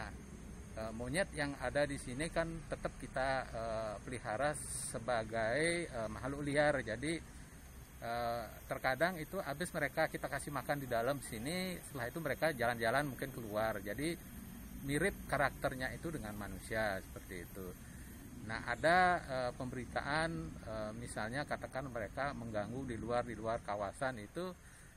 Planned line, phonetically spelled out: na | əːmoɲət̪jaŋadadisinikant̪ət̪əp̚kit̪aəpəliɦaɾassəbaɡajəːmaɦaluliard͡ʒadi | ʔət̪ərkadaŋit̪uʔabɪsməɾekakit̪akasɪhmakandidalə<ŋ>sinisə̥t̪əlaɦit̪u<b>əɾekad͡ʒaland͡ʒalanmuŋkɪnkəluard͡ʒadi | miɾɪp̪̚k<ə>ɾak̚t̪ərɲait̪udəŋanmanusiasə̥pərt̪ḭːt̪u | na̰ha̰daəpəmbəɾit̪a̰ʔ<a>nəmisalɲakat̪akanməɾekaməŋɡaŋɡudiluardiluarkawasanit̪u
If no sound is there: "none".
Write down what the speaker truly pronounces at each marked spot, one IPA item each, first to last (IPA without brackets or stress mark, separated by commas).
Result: m, m, a, a